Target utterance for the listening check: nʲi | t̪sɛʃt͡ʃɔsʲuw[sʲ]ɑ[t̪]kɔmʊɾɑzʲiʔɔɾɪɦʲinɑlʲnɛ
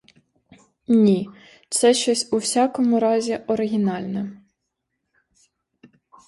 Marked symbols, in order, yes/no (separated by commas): yes, no